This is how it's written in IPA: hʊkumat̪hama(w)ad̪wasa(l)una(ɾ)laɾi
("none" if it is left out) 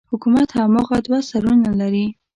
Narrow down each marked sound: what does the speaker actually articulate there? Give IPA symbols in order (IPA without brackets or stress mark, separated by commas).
ɣ, ɾ, none